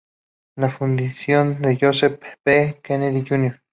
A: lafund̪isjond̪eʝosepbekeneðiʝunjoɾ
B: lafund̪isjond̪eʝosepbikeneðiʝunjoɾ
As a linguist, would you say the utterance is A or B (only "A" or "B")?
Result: A